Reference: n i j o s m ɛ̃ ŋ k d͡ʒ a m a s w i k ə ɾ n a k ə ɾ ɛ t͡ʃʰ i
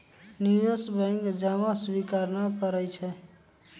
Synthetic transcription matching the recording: n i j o s b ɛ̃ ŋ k d͡ʒ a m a s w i k a ɾ n a k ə ɾ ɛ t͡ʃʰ ɛ